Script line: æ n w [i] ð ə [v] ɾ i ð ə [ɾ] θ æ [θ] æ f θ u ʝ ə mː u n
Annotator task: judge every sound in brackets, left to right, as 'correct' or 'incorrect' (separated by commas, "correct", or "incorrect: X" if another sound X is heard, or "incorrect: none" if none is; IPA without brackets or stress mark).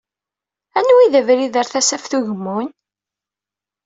correct, correct, correct, incorrect: s